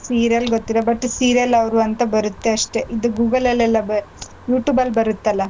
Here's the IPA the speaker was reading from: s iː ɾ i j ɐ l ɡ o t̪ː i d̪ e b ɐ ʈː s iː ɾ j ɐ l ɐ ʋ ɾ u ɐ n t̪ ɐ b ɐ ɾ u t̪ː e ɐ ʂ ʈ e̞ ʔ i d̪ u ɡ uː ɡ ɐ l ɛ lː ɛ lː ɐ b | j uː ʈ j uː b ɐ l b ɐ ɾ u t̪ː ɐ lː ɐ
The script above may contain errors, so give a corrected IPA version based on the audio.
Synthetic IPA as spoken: s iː ɾ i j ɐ l ɡ o t̪ː i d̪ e b ɐ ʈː s iː ɾ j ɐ l ɐ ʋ ɾ u ɐ n t̪ ɐ b ɐ ɾ u t̪ː e ɐ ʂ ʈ e̞ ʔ i d̪ u ɡ uː ɡ ɐ l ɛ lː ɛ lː ɐ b | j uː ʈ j uː b ɐ l b ɐ ɾ u t̪ː ɐ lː ɐ